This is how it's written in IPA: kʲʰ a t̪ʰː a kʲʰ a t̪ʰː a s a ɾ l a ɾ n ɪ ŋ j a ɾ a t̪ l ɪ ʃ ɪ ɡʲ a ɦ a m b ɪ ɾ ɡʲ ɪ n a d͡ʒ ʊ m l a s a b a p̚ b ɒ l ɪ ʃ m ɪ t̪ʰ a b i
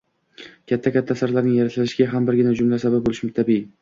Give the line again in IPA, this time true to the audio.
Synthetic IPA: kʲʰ a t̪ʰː a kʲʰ a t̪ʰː a s a ɾ l a ɾ n ɪ ŋ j a ɾ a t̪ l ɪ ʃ ɪ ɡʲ a ɦ a m b ɪ ɾ ɡʲ ɪ n a d͡ʒ ʊ m l a s a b a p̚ b o l ɪ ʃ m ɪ t̪ʰ a b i